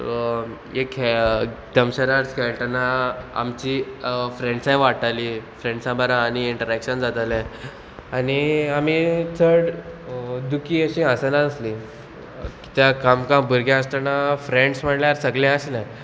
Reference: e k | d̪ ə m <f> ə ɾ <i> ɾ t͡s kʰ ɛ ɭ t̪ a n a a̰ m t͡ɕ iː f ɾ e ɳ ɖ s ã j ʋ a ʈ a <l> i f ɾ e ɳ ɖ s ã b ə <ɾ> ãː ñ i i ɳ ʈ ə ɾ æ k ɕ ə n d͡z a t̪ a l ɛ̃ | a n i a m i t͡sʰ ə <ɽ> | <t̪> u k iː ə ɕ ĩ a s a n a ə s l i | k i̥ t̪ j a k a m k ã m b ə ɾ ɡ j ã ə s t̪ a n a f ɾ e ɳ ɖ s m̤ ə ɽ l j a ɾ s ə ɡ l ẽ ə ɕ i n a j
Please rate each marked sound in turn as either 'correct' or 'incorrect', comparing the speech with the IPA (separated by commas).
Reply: incorrect, incorrect, correct, correct, correct, incorrect